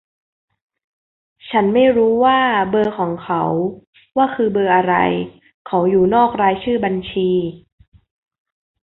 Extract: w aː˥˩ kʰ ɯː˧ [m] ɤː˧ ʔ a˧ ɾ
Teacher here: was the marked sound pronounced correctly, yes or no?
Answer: no